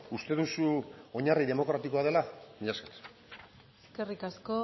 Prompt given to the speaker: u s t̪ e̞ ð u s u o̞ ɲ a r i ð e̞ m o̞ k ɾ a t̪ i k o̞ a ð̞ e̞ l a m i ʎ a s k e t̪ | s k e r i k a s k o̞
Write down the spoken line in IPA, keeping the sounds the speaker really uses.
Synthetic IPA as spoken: u s t̪ e̞ ð u s u o̞ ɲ a r i ð e̞ m o̞ k ɾ a t̪ i k o̞ a ð̞ e̞ l a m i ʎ a s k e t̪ | s k e r i k a s k o̞